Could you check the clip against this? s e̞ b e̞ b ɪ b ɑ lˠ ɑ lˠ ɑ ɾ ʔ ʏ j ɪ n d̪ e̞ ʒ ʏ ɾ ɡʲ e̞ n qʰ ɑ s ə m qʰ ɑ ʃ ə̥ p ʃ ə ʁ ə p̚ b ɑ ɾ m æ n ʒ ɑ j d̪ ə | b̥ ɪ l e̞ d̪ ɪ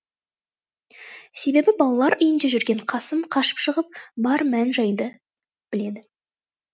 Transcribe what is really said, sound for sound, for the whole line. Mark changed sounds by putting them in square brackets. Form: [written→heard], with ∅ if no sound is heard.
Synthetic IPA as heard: s e̞ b e̞ b ɪ b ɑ lˠ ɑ lˠ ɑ ɾ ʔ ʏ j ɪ n d̪ e̞ ʒ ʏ ɾ ɡʲ e̞ [n→ɴ] qʰ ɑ s ə m qʰ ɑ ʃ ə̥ p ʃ ə ʁ ə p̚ b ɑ ɾ m æ n ʒ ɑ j d̪ ə | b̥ ɪ l e̞ d̪ ɪ